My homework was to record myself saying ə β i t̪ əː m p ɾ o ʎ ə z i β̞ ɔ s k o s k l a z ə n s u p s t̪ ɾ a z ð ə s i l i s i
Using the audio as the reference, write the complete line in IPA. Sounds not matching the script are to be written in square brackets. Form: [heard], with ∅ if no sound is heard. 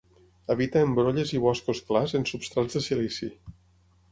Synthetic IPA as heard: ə β i t̪ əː m [b] ɾ o ʎ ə z i β̞ ɔ s k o s k l a z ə n s u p s t̪ ɾ a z ð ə s i l i s i